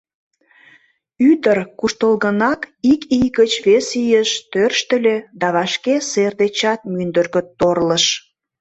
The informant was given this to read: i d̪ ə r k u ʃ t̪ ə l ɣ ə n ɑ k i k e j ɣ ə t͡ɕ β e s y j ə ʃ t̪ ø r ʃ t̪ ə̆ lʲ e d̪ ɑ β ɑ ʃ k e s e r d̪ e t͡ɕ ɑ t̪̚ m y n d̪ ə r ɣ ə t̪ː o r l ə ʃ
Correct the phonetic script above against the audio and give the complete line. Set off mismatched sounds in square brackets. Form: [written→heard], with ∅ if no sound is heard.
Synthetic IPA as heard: [i→y] d̪ ə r k u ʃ t̪ ə l ɣ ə n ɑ k i k [e→i] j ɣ ə t͡ɕ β e s [y→i] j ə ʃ t̪ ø r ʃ t̪ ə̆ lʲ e d̪ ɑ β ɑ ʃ k e s e r d̪ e t͡ɕ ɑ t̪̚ m y n d̪ ə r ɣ ə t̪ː o r l ə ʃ

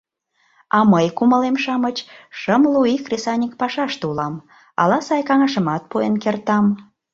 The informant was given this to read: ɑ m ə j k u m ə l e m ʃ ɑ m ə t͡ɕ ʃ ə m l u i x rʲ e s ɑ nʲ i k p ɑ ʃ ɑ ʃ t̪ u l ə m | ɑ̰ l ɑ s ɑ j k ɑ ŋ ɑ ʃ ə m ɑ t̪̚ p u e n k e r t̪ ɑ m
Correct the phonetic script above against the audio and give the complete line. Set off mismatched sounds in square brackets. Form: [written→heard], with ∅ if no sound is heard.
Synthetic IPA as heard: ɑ m ə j k u m ə l e m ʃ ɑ m ə t͡ɕ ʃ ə m l u i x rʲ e s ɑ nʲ i k p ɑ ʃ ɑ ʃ t̪ u l [ə→ɑ] m | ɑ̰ l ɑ s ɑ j k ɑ ŋ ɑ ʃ ə m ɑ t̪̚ p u e n k e r t̪ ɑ m

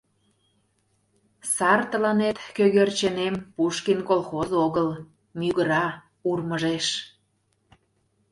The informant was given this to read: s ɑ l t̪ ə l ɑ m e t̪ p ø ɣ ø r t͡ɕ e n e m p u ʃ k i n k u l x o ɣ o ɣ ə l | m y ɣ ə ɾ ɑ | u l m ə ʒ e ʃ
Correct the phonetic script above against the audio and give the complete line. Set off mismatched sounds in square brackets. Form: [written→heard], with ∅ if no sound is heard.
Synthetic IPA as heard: s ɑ [l→r] t̪ ə l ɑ [m→n] e t̪ [p→k] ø ɣ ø r t͡ɕ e n e m p u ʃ k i n k [u→o] l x o [ɣ→z] o ɣ ə l | m y ɣ ə ɾ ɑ | u [l→r] m ə ʒ e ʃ

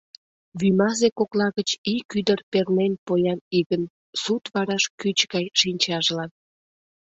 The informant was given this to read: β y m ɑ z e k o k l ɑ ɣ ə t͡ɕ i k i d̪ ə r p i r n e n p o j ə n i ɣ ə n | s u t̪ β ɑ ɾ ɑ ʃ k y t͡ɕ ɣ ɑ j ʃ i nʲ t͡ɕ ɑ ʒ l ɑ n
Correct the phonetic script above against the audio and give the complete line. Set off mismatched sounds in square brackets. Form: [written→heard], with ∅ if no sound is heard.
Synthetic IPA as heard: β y m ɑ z e k o k l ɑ ɣ ə t͡ɕ i k [i→y] d̪ ə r p [i→e] r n e n p o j [ə→ɑ] n i ɣ ə n | s u t̪ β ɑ ɾ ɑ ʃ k y t͡ɕ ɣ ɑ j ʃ i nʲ t͡ɕ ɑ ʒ l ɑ n

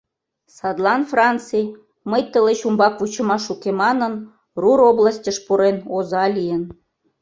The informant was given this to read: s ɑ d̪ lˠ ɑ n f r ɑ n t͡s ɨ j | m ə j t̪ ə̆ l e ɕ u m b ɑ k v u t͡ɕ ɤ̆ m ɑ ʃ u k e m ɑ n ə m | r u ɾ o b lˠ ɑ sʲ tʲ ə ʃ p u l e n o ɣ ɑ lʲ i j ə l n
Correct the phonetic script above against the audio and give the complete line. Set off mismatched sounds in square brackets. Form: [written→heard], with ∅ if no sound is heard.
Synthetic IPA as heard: s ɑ d̪ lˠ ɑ n f r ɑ n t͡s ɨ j | m ə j t̪ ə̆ l e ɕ u m b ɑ k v u t͡ɕ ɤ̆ m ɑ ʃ u k e m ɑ n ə [m→n] | r u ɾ o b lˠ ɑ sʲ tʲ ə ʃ p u [l→ɾ] e n o [ɣ→z] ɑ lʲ i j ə [l→∅] n

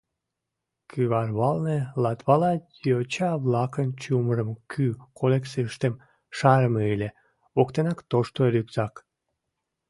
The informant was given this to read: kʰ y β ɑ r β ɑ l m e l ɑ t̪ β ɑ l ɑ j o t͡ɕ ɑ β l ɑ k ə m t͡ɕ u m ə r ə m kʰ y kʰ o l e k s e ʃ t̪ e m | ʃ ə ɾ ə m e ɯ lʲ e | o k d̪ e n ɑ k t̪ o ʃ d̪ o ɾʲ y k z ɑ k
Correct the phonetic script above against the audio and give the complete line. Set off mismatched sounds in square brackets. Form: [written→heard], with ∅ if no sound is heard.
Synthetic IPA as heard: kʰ y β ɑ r β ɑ l [m→n] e l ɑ t̪ β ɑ l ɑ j o t͡ɕ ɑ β l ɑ k ə [m→n] t͡ɕ u m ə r ə m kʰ y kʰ o l e k s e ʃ t̪ e m | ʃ [ə→ɑ] ɾ ə m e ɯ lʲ e | o k [d̪→t̪] e n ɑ k t̪ o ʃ [d̪→t̪] o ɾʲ y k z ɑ k

